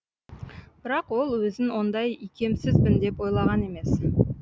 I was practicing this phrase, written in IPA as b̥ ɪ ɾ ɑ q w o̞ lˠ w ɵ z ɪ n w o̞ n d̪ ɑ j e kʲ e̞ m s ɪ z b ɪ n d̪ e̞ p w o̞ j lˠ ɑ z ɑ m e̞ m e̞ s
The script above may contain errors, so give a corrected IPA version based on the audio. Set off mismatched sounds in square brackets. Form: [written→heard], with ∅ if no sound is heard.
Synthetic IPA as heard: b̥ ɪ ɾ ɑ q w o̞ lˠ w ɵ z ɪ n w o̞ n d̪ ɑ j [e→i] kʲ e̞ m s ɪ z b ɪ n d̪ e̞ p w o̞ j lˠ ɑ [z→ʁ] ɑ [m→n] e̞ m e̞ s